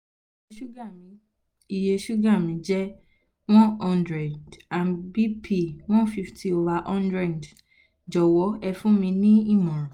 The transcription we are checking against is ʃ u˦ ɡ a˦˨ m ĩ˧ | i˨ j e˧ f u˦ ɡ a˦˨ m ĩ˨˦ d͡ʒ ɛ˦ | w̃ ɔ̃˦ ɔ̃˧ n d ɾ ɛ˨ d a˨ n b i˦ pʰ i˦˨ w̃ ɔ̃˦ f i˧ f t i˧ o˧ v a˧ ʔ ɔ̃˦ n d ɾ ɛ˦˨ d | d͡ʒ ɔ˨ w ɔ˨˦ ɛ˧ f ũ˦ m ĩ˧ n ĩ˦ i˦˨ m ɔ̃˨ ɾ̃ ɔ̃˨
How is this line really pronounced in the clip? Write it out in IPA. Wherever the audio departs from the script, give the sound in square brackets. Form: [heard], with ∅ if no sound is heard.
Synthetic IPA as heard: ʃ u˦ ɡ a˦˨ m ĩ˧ | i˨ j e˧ [ʃ] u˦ ɡ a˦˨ m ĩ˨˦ d͡ʒ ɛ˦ | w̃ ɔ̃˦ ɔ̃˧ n d ɾ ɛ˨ d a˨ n b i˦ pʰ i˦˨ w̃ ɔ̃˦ f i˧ f t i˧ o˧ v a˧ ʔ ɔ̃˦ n d ɾ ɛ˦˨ d | d͡ʒ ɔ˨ w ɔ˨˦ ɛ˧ f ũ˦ m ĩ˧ n ĩ˦ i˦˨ m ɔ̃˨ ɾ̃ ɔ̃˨